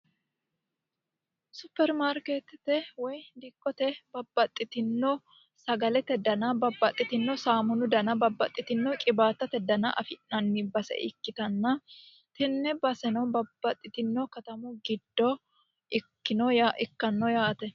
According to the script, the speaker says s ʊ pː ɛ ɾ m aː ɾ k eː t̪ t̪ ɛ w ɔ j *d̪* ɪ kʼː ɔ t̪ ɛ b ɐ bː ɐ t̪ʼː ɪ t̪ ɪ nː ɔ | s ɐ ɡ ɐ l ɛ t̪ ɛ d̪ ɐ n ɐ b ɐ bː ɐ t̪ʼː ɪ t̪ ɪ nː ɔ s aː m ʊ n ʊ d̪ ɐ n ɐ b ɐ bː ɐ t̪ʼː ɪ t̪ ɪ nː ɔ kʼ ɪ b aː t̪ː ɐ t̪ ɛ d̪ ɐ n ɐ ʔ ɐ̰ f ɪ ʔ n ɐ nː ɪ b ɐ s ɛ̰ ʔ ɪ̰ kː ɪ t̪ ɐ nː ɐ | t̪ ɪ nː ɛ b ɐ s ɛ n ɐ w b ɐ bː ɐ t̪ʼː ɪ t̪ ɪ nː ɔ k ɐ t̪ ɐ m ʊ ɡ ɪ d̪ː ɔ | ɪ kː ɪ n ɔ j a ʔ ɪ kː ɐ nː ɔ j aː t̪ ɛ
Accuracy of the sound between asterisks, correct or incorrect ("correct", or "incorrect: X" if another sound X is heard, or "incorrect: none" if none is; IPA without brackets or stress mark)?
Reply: correct